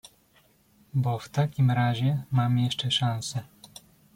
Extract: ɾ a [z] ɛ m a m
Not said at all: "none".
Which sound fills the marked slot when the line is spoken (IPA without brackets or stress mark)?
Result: ʑ